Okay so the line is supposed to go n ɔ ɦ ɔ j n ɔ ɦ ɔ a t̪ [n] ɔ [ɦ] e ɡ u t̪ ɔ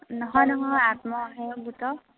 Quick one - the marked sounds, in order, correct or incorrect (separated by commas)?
incorrect, correct